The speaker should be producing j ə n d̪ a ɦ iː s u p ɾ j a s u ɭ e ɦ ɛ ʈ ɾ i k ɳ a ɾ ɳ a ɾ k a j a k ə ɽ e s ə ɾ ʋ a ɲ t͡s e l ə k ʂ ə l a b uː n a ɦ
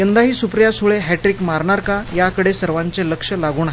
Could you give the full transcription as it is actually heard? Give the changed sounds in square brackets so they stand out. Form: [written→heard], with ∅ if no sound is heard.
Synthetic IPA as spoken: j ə n d̪ a ɦ iː s u p ɾ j a s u ɭ e ɦ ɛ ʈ ɾ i k [ɳ→m] a ɾ ɳ a ɾ k a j a k ə ɽ e s ə ɾ ʋ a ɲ t͡s e l ə k ʂ ə l a [b→ɡ] uː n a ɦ